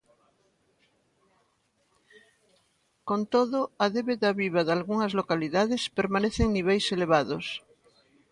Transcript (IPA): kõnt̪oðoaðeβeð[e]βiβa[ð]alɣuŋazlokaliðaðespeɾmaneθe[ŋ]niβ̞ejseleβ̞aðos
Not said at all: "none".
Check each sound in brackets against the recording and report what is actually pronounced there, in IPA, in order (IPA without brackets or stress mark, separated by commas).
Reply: a, ð, ŋ